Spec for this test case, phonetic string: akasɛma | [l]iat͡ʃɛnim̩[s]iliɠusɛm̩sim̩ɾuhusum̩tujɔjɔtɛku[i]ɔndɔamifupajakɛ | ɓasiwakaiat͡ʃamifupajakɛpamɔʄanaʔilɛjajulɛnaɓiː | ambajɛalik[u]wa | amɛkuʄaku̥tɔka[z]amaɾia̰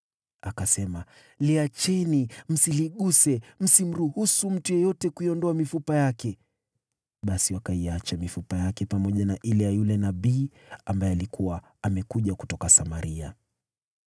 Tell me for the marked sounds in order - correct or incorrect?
correct, correct, correct, correct, incorrect

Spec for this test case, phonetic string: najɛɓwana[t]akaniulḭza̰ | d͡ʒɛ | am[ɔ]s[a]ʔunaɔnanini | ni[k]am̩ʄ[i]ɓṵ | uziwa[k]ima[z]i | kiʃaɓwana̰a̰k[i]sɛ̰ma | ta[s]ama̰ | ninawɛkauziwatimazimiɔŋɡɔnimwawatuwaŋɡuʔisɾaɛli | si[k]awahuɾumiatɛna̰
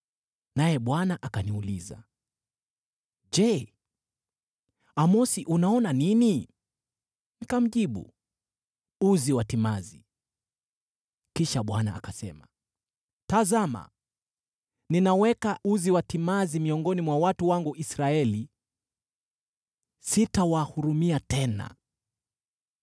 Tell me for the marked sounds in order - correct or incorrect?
incorrect, correct, incorrect, correct, correct, incorrect, correct, incorrect, incorrect, incorrect

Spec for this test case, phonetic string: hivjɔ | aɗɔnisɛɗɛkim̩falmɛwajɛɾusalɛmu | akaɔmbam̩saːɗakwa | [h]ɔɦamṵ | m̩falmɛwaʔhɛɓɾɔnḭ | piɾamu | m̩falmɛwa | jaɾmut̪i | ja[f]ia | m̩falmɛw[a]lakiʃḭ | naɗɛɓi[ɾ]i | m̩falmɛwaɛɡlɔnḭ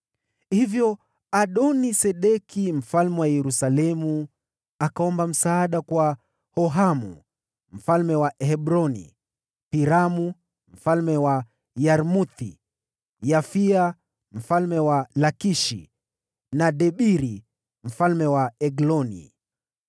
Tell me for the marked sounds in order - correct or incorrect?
correct, correct, correct, correct

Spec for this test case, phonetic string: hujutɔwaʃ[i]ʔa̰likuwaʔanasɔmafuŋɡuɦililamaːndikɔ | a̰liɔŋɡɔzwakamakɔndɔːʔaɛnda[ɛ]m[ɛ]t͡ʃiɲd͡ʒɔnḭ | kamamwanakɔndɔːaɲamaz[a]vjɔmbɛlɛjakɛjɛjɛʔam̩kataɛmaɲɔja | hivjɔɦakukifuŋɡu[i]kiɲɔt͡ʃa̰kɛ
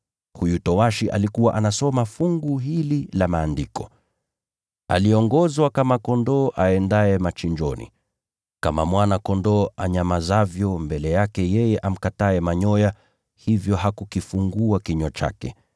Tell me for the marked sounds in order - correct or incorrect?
correct, correct, incorrect, correct, incorrect

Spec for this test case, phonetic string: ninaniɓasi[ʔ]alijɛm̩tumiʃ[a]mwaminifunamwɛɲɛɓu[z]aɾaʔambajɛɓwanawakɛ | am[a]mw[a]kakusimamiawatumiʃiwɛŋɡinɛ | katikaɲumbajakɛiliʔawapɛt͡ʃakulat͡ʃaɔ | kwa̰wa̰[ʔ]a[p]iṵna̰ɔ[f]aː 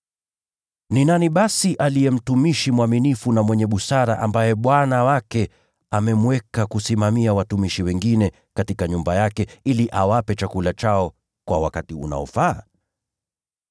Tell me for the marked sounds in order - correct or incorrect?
correct, incorrect, incorrect, incorrect, incorrect, incorrect, incorrect, correct

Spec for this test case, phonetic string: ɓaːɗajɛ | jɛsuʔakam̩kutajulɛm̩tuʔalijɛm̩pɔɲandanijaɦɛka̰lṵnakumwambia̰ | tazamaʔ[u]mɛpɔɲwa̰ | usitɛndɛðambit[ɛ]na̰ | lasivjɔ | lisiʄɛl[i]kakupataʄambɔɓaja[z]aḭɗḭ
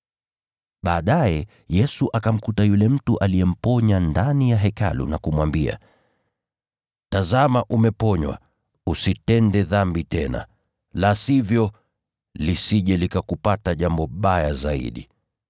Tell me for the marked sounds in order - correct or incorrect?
correct, correct, correct, correct

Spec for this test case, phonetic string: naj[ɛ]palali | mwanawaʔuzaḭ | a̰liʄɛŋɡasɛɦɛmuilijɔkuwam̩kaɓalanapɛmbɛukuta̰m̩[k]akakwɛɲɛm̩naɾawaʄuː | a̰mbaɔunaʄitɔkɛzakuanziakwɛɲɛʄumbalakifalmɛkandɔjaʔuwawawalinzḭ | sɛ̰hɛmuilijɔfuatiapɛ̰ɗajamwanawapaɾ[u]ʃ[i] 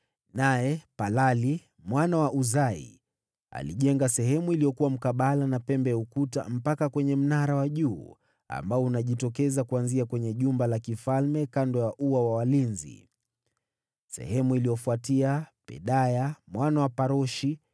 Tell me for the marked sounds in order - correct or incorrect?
correct, incorrect, incorrect, correct

